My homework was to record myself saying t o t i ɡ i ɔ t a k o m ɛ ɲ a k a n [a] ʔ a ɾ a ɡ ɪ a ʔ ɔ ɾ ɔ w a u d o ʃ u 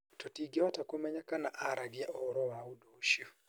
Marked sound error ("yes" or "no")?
no